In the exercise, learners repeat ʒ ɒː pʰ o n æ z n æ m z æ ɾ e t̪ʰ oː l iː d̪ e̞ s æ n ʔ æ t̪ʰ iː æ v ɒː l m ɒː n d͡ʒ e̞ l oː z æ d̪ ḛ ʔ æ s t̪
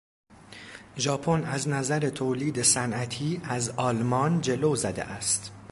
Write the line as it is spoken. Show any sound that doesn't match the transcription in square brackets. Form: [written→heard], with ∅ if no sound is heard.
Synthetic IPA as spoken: ʒ ɒː pʰ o n æ z n æ [m→∅] z æ ɾ e t̪ʰ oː l iː d̪ e̞ s æ n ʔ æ t̪ʰ iː æ [v→z] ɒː l m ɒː n d͡ʒ e̞ l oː z æ d̪ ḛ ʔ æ s t̪